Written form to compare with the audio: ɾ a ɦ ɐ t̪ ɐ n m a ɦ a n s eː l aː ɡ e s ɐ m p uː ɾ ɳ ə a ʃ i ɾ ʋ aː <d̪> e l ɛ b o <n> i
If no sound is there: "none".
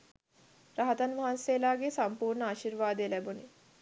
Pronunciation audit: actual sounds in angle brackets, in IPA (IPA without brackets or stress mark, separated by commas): d̪, n